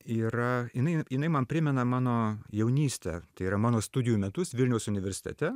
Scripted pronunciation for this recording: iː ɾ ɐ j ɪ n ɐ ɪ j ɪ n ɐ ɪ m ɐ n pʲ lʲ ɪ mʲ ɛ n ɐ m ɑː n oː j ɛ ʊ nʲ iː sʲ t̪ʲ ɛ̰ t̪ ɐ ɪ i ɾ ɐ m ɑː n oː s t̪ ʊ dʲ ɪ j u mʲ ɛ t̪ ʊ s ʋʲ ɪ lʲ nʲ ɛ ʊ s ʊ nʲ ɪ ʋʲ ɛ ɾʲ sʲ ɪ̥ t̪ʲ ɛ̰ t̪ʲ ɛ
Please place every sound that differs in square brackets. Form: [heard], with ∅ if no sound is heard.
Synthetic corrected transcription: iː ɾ ɐ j ɪ n ɐ ɪ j ɪ n ɐ ɪ m ɐ n pʲ [ɾʲ] ɪ mʲ ɛ n ɐ m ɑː n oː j ɛ ʊ nʲ iː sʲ t̪ʲ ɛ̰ t̪ ɐ ɪ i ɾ ɐ m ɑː n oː s t̪ ʊ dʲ ɪ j u mʲ ɛ t̪ ʊ s ʋʲ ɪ lʲ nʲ ɛ ʊ s ʊ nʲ ɪ ʋʲ ɛ ɾʲ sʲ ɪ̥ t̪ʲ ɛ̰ t̪ʲ ɛ